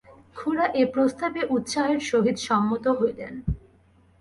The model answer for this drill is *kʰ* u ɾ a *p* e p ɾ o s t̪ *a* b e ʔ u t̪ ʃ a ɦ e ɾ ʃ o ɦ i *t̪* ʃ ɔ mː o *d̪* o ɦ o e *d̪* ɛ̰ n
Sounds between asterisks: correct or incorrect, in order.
correct, incorrect: ʔ, correct, incorrect: d̪, incorrect: t̪, correct

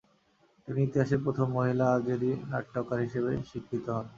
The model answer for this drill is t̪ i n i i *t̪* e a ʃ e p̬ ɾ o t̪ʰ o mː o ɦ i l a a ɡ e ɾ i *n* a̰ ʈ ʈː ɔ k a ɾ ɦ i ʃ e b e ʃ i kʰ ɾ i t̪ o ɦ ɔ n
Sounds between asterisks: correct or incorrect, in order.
correct, correct

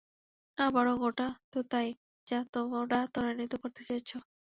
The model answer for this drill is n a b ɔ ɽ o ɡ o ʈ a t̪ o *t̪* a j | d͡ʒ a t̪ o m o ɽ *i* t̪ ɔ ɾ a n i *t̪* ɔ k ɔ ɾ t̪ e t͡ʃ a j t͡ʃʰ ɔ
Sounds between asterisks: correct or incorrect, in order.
correct, incorrect: a, correct

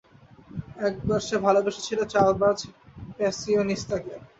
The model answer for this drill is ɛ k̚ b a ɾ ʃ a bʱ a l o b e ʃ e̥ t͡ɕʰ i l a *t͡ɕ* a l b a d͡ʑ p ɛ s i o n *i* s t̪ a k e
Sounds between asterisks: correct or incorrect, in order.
correct, correct

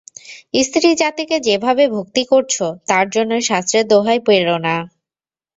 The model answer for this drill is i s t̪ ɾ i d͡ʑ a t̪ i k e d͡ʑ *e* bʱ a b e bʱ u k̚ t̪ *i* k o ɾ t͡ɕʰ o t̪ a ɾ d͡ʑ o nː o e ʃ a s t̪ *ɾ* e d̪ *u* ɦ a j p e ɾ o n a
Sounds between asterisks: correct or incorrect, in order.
correct, correct, correct, incorrect: o

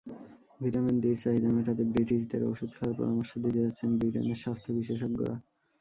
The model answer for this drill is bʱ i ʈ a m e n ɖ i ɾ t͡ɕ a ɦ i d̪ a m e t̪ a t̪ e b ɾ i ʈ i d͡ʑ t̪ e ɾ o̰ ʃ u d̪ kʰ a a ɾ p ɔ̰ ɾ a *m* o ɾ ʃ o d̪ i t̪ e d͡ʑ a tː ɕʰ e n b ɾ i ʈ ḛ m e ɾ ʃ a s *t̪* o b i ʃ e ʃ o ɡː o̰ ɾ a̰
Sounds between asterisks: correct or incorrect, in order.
correct, incorrect: t̪ʰ

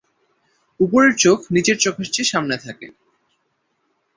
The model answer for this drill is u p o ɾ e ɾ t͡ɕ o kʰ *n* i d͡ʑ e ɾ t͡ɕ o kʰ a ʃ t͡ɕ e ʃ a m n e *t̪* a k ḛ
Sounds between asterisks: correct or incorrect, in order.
correct, incorrect: t̪ʰ

